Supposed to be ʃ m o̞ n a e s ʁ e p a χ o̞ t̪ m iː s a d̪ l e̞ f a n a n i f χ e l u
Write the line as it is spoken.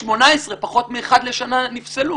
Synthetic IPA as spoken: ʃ m o̞ n a e s ʁ e p a χ o̞ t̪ m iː χ a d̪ l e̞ ʃ a n a n i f s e l u